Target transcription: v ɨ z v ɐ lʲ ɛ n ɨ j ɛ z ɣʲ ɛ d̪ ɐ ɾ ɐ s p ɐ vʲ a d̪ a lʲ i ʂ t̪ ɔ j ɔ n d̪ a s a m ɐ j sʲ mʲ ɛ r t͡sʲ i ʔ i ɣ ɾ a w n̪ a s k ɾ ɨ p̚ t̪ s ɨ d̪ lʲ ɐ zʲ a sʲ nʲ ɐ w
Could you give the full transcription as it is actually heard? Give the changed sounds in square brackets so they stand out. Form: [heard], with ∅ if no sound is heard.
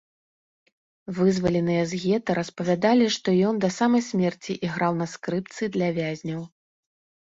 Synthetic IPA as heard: v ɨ z v ɐ lʲ ɛ n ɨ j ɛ z ɣʲ ɛ [t̪] ɐ ɾ ɐ s p ɐ vʲ a d̪ a lʲ i ʂ t̪ ɔ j ɔ n d̪ [ɐ] s a m ɐ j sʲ mʲ ɛ r t͡sʲ i ʔ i ɣ ɾ a w n̪ [ɐ] s k ɾ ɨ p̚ t̪ s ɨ d̪ lʲ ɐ [vʲ] a [zʲ] nʲ ɐ w